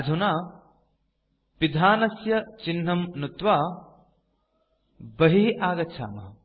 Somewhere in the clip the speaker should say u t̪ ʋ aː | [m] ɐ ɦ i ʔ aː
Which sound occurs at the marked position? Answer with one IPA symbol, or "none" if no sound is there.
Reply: b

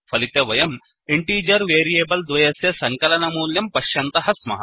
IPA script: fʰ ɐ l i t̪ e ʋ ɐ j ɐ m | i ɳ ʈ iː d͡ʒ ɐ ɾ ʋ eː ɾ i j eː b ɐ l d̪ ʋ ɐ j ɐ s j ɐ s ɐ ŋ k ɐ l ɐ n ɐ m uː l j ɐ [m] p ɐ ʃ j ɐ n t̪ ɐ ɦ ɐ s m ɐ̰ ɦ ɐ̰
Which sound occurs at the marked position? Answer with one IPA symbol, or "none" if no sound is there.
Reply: m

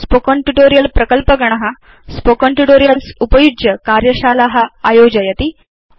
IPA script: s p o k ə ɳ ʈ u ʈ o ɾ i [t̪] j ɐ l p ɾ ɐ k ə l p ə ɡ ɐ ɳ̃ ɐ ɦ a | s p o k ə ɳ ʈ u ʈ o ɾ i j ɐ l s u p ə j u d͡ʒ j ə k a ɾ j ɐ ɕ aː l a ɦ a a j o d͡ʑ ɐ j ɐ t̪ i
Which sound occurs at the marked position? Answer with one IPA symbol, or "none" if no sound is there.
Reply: none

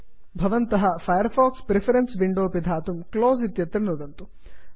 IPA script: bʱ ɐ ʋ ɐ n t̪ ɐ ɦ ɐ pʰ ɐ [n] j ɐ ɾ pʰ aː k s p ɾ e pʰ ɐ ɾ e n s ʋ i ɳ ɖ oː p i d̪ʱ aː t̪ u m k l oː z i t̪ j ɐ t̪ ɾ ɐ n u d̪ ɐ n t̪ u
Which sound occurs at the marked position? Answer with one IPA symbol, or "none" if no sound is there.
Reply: none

